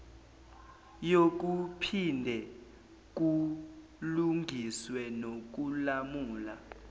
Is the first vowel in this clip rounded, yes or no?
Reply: yes